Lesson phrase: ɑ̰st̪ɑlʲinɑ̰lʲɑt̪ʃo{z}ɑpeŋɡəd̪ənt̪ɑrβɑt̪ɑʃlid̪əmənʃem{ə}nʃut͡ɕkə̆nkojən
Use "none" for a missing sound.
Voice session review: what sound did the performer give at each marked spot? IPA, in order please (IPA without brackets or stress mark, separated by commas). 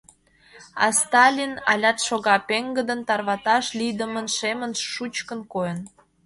ɣ, ə